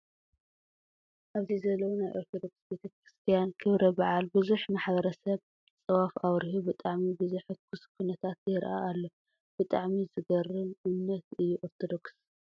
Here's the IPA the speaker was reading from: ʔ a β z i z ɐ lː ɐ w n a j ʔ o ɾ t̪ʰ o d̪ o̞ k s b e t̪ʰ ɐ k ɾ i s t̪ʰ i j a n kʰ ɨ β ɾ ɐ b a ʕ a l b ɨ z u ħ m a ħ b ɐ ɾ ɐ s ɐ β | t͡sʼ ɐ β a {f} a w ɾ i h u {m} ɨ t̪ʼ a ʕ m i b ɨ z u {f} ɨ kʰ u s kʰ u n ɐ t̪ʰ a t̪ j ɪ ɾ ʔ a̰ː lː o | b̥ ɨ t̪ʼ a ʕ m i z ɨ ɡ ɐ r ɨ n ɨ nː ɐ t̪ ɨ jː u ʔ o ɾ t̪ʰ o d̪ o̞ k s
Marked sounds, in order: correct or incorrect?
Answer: correct, incorrect, incorrect

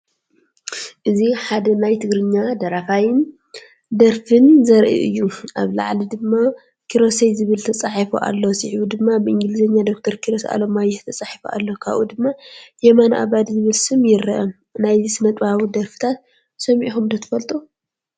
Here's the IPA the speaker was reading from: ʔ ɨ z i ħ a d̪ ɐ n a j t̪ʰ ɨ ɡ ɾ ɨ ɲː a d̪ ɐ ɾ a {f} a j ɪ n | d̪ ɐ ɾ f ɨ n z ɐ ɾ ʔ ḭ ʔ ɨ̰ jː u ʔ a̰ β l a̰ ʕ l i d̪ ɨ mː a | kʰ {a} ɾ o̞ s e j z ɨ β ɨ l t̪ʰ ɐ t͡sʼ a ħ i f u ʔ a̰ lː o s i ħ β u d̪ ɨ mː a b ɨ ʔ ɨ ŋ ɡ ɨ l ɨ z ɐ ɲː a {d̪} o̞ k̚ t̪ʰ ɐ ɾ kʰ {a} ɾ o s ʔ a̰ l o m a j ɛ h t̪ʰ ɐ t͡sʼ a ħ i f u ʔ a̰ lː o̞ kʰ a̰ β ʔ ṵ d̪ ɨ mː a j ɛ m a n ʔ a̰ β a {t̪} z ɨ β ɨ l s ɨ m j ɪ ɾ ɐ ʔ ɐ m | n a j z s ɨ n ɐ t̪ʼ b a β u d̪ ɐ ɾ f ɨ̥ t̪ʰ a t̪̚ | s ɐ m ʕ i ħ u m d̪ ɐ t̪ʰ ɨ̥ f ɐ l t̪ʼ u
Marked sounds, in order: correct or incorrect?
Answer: correct, incorrect, correct, incorrect, incorrect

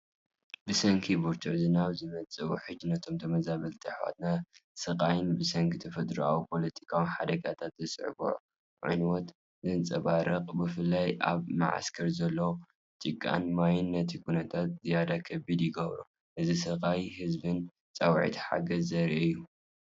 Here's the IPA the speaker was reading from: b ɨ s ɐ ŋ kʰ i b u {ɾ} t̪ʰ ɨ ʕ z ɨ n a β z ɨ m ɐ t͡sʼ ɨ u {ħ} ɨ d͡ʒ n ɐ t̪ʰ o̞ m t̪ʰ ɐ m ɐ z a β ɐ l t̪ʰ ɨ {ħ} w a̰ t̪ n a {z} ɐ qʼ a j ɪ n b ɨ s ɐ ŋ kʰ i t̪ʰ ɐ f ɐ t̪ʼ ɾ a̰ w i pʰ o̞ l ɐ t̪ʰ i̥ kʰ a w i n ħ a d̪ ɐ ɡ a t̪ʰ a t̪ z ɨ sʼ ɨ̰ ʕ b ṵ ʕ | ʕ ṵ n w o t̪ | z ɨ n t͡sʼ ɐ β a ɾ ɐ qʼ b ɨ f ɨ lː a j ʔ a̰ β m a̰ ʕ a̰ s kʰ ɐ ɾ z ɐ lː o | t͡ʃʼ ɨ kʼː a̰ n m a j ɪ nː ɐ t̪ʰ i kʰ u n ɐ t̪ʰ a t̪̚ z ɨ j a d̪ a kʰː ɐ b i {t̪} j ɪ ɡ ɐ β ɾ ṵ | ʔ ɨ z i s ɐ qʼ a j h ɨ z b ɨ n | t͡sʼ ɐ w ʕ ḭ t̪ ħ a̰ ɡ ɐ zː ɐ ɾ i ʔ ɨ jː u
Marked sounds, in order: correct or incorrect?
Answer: correct, correct, correct, incorrect, incorrect

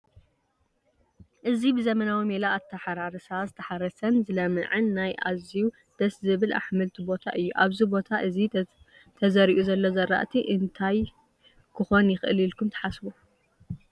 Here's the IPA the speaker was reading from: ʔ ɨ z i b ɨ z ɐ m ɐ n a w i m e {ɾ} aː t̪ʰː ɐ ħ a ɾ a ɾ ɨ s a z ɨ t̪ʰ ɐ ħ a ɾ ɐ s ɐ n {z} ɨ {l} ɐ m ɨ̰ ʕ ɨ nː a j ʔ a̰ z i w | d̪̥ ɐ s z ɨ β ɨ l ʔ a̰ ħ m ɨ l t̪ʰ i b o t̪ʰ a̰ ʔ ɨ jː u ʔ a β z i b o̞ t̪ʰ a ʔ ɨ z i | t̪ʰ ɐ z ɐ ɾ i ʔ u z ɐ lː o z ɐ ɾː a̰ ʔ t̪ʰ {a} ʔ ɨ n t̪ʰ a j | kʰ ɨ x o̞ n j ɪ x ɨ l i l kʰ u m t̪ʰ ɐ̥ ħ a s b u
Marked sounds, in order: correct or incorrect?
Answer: incorrect, correct, correct, incorrect

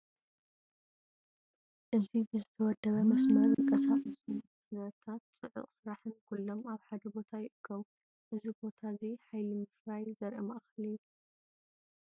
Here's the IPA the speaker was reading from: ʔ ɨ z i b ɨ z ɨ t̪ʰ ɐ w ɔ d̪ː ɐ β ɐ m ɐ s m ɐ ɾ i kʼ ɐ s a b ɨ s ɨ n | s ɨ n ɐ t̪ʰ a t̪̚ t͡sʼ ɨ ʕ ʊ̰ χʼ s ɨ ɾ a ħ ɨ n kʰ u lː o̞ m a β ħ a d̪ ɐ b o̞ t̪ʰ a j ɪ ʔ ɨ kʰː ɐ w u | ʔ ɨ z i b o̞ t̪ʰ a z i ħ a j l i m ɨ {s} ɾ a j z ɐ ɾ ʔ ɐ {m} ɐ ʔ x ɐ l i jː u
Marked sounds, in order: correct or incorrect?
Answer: incorrect, correct

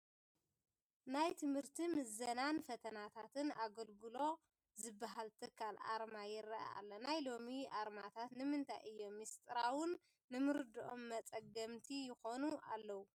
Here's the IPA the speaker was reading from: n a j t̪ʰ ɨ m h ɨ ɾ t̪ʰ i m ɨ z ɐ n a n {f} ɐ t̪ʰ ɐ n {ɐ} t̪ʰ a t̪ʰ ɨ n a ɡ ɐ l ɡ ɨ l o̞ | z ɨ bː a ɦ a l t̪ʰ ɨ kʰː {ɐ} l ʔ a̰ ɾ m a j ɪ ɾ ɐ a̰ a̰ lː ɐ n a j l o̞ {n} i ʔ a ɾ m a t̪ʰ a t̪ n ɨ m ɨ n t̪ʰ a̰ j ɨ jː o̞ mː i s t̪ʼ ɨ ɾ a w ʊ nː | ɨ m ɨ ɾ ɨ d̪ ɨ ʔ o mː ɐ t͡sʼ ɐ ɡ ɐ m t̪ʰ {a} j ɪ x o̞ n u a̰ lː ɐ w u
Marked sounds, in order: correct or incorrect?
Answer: correct, incorrect, incorrect, incorrect, incorrect

